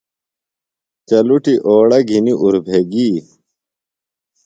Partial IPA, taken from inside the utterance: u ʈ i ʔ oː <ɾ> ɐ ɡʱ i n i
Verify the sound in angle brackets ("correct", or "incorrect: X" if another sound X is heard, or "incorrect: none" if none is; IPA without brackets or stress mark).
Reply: incorrect: ɽ